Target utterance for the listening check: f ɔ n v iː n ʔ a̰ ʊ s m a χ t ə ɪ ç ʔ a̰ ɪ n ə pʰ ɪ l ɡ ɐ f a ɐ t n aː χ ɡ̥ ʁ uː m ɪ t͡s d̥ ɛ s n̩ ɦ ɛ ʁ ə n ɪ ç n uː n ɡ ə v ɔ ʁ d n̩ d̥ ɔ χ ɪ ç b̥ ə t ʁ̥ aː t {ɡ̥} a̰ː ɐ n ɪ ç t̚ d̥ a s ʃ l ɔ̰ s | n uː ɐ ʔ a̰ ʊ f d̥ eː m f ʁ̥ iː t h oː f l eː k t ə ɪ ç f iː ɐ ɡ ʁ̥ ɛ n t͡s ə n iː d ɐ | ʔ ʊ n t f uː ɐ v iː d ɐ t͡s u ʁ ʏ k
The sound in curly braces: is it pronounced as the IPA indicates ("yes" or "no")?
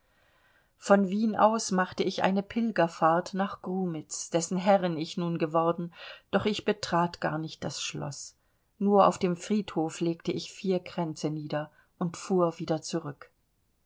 yes